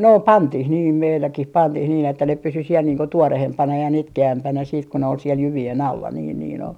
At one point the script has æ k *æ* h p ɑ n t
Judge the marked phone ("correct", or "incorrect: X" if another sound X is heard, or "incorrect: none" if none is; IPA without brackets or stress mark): incorrect: i